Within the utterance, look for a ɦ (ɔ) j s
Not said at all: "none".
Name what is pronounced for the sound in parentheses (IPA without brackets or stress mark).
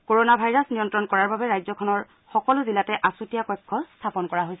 o